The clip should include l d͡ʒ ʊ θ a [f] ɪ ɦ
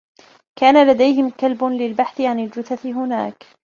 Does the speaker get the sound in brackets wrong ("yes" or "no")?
yes